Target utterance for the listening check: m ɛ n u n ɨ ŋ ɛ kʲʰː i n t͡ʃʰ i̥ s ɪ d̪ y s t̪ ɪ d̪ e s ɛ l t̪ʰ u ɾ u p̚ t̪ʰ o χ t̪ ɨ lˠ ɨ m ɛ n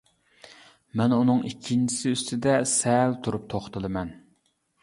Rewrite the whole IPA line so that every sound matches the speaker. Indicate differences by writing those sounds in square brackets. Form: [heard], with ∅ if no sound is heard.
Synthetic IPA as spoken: m ɛ n u n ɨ ŋ [i] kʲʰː i n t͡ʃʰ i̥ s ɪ [∅] y s t̪ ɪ d̪ [ɛ] s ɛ l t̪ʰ u ɾ u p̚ t̪ʰ o χ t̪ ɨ lˠ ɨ m ɛ n